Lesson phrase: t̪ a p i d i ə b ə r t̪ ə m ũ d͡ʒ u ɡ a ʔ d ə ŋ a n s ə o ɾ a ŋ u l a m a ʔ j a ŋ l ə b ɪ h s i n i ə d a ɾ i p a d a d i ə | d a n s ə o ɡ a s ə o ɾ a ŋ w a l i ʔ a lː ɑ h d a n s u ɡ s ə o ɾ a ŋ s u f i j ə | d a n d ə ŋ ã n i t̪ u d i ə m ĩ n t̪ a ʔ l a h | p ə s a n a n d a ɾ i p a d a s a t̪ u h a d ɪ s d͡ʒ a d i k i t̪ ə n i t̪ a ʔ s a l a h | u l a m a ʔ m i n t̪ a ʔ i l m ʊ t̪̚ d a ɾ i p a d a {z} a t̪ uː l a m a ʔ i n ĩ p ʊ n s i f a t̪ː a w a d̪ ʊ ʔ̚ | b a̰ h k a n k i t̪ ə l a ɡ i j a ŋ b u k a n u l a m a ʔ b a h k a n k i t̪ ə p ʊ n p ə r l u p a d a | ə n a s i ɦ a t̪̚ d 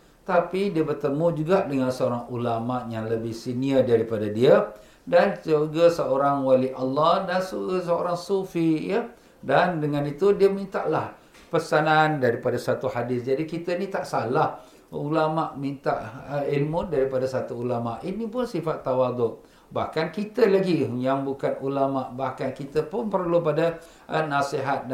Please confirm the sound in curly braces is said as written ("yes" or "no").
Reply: no